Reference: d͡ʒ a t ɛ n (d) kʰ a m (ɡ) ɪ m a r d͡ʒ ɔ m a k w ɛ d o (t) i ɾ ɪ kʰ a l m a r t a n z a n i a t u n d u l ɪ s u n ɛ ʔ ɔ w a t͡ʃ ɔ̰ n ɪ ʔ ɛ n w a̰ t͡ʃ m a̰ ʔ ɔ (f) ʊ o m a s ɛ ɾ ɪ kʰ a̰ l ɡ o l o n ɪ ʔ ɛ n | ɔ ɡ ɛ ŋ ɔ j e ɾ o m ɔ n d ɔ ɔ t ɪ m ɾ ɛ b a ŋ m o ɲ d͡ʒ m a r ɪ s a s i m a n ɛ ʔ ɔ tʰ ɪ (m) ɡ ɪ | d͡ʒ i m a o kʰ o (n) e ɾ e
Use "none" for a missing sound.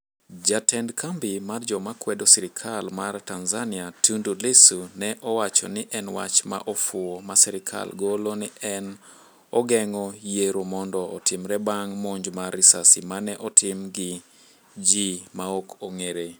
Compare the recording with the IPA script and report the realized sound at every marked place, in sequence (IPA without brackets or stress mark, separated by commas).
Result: d, b, s, f, m, ŋ